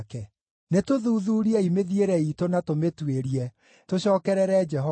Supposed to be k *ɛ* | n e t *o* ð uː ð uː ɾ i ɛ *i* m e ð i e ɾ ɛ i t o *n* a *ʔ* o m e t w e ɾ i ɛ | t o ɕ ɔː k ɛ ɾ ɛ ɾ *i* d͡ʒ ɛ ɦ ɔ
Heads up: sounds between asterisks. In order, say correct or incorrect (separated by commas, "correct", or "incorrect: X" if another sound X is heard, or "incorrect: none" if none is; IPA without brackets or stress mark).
correct, correct, correct, correct, incorrect: t, incorrect: ɛ